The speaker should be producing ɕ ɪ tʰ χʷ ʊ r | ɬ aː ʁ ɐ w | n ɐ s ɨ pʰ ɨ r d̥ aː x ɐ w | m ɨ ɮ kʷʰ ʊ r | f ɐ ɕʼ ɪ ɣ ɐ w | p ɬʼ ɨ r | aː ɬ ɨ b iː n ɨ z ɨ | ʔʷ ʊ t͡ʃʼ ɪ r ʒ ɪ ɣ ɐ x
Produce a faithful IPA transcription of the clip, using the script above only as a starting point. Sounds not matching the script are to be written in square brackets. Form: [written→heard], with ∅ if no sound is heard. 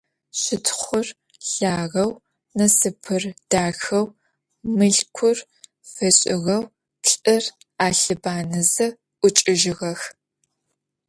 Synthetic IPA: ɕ ɪ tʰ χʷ ʊ r | ɬ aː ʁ ɐ w | n ɐ s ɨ pʰ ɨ r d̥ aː x ɐ w | m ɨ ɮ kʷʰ ʊ r | f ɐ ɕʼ ɪ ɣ ɐ w | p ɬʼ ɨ r | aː ɬ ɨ b [iː→aː] n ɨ z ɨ | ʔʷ ʊ t͡ʃʼ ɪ [r→∅] ʒ ɪ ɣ ɐ x